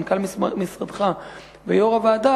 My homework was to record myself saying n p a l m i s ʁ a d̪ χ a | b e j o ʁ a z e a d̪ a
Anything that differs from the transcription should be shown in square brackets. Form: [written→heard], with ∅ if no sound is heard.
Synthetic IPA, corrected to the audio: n [p→k] a l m i s ʁ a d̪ χ a | [b→v] e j o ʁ a [z→v] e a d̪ a